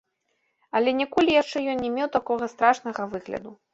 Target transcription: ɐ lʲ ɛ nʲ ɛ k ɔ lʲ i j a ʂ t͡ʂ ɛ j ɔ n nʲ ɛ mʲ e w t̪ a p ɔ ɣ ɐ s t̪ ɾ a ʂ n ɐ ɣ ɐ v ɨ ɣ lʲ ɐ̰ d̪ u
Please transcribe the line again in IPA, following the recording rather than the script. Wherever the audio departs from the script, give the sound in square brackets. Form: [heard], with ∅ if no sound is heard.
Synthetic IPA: ɐ lʲ ɛ nʲ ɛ k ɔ lʲ i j a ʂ t͡ʂ ɛ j ɔ n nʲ ɛ mʲ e w t̪ a [k] ɔ ɣ ɐ s t̪ ɾ a ʂ n ɐ ɣ ɐ v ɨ ɣ lʲ ɐ̰ d̪ u